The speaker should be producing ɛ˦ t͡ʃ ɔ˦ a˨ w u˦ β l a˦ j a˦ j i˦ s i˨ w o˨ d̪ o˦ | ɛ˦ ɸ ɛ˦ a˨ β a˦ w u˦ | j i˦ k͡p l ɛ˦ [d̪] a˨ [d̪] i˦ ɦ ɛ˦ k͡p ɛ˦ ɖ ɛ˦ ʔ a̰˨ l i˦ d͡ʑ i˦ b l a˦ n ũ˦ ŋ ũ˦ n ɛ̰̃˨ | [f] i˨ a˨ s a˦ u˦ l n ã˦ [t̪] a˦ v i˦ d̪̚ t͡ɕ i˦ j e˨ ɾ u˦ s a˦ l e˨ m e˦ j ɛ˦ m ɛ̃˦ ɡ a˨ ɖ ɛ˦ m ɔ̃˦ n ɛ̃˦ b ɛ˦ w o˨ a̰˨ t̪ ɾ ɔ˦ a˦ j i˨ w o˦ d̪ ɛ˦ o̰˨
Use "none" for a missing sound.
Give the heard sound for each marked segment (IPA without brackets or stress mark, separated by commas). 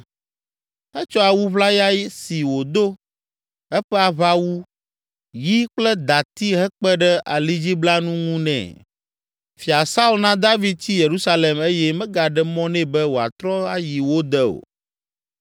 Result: d̪, t̪, f, d̪